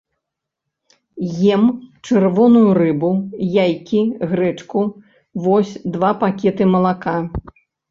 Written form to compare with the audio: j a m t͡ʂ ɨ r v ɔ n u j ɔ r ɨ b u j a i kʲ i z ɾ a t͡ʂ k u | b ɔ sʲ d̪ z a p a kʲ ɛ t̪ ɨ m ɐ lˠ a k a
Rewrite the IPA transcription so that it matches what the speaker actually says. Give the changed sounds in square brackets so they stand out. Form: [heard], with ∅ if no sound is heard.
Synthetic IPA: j [ɛ] m t͡ʂ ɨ r v ɔ n u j [u] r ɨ b u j a [j] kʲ i [ɣ] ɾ [ɛ] t͡ʂ k u | [v] ɔ sʲ d̪ [v] a p a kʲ ɛ t̪ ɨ m ɐ lˠ a k a